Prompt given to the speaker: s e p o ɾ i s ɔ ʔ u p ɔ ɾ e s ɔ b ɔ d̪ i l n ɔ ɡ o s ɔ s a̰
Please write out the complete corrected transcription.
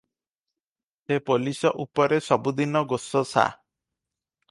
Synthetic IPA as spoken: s e p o l i s ɔ ʔ u p ɔ ɾ e s ɔ b u d̪ i n ɔ ɡ o s ɔ s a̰